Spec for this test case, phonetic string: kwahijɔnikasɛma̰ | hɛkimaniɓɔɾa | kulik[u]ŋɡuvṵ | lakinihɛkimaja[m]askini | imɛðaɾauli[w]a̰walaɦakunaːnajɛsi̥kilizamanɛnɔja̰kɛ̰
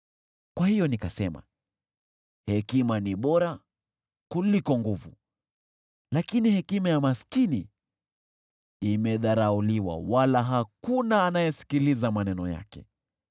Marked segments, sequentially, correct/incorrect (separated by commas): incorrect, correct, correct